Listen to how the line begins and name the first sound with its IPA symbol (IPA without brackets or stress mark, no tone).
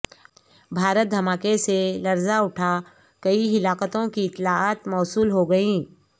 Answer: bʱ